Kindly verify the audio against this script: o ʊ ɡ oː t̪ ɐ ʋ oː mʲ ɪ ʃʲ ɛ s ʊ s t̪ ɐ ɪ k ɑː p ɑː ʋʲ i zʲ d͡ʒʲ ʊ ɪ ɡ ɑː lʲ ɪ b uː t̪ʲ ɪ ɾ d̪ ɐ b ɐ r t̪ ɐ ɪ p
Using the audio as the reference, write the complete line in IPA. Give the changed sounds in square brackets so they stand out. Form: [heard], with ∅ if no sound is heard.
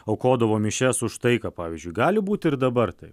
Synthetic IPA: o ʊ [k] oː [d̪] ɐ ʋ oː mʲ ɪ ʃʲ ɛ s ʊ [ʃ] t̪ ɐ ɪ k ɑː p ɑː ʋʲ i zʲ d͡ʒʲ ʊ ɪ ɡ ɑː lʲ ɪ b uː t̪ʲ ɪ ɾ d̪ ɐ b ɐ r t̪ ɐ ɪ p